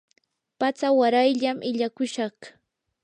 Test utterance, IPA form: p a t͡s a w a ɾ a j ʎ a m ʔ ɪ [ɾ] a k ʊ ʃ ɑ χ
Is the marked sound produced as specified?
no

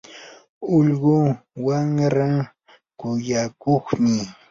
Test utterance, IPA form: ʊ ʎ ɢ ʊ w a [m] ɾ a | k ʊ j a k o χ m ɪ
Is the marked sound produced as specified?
no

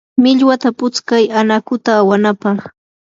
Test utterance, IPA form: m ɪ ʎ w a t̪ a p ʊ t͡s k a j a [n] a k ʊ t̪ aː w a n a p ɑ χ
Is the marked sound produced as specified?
yes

